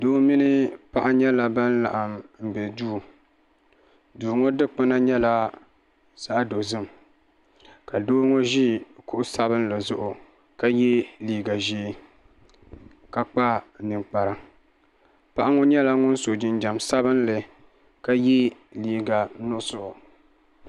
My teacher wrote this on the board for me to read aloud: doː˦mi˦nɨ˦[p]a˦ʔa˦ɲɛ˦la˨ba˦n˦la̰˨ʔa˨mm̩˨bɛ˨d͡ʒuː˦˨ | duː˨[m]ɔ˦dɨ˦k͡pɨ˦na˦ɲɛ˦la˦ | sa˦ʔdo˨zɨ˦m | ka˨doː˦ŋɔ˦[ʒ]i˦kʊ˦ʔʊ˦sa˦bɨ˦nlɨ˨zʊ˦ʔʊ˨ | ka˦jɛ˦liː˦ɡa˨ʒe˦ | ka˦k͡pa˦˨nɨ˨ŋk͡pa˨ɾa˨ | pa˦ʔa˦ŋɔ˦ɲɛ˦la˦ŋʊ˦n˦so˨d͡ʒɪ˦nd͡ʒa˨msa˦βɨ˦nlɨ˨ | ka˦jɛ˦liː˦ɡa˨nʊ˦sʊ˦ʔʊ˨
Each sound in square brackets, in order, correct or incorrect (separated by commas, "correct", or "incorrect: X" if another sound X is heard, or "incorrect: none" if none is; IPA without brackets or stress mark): correct, incorrect: ŋ, correct